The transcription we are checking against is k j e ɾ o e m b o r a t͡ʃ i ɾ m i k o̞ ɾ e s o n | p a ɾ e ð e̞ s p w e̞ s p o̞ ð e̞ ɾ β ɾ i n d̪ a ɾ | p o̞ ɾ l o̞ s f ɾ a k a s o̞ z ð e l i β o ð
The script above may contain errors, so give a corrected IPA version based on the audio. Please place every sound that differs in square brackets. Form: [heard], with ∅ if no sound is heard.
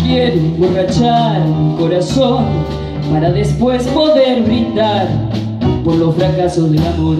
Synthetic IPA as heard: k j e ɾ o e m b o r a t͡ʃ [a] ɾ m i k o̞ ɾ [a] s o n | p a ɾ [a] ð e̞ s p w e̞ s p o̞ ð e̞ ɾ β ɾ i n d̪ a ɾ | p o̞ ɾ l o̞ s f ɾ a k a s o̞ z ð e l [a] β o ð